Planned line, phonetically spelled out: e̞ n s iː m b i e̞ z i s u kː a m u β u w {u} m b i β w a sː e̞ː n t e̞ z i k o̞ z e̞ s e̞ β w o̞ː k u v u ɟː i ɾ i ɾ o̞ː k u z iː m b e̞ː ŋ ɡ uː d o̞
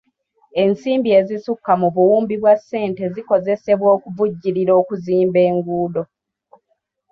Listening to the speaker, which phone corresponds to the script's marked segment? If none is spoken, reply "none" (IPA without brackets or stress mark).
uː